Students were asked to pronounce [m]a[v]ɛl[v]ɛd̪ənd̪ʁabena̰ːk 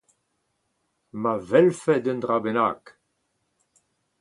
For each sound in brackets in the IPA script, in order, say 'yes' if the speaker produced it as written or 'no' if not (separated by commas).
yes, yes, no